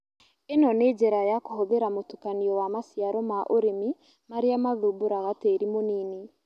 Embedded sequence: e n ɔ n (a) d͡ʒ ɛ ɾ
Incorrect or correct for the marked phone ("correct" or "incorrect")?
incorrect